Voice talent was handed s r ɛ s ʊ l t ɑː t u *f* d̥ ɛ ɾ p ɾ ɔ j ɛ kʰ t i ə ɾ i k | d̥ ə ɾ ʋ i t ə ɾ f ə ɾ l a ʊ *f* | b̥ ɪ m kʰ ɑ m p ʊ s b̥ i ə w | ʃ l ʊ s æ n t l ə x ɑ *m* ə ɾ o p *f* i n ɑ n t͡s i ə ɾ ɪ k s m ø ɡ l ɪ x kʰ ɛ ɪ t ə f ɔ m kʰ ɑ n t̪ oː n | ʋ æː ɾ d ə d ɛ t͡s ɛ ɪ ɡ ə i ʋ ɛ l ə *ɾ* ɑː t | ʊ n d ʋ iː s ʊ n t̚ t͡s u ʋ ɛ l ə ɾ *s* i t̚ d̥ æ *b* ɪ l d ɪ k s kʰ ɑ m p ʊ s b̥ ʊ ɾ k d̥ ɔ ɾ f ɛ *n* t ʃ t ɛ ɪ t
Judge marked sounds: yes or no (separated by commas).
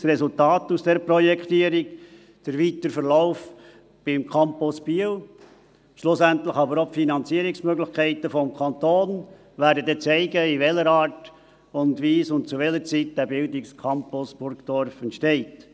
no, yes, no, yes, yes, no, yes, yes